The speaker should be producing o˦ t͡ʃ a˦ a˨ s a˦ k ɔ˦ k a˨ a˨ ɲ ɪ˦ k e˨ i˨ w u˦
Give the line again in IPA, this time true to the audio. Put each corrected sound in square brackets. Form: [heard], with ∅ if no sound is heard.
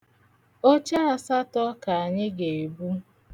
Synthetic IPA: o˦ t͡ʃ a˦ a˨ s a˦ [t] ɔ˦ k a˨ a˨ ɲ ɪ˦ [ɡ] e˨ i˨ [b] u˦